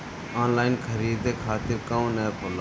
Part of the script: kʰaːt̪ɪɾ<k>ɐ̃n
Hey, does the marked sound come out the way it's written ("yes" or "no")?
yes